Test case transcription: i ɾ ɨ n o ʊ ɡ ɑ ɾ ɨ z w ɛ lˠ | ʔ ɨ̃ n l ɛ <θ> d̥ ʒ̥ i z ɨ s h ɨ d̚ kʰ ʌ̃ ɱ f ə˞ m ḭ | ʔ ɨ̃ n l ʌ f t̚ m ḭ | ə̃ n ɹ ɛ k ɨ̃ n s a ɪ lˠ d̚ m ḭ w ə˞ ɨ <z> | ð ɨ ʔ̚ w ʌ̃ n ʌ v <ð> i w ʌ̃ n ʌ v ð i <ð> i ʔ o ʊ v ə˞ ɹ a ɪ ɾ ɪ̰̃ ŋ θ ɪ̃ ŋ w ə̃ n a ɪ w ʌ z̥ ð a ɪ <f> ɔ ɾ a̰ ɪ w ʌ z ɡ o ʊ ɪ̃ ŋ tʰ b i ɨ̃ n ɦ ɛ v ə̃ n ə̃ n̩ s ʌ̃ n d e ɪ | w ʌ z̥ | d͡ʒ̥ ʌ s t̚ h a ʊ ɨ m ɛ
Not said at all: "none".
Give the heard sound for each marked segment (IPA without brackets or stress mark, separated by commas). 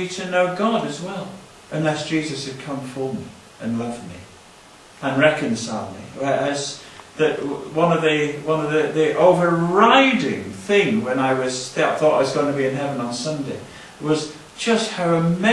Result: s, z, ð, ð, θ